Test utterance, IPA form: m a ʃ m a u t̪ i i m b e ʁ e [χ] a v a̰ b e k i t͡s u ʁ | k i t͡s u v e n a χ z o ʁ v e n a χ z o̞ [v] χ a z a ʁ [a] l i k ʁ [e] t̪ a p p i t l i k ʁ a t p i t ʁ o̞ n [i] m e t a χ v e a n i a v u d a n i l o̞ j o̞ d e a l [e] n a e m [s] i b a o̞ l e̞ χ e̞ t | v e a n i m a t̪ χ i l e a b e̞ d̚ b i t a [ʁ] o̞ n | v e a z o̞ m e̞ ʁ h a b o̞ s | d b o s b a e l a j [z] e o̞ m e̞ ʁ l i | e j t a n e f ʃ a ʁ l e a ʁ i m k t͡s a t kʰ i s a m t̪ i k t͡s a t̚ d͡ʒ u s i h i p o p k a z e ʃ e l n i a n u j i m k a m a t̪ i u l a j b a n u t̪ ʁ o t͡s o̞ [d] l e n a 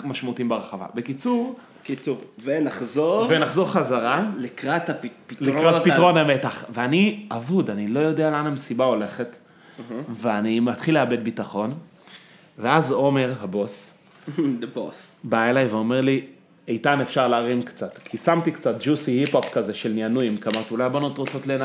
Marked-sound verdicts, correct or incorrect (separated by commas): correct, incorrect, correct, incorrect, incorrect, incorrect, correct, incorrect, incorrect, incorrect